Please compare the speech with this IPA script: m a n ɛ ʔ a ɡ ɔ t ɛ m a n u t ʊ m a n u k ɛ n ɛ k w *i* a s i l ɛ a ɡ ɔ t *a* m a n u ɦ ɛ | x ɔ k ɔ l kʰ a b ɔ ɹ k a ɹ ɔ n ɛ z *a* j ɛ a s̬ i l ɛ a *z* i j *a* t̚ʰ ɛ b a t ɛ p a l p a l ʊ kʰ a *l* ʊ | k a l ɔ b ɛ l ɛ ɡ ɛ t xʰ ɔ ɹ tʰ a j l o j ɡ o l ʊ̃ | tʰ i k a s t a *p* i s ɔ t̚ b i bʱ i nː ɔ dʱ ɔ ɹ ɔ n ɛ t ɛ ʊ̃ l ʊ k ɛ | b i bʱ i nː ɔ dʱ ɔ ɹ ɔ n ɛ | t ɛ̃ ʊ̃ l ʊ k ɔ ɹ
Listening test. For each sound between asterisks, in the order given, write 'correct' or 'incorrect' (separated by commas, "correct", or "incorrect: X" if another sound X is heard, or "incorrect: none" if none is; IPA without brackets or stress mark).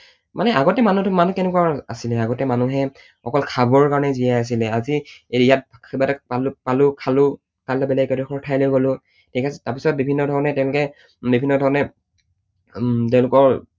incorrect: a, incorrect: ɛ, incorrect: i, correct, correct, correct, correct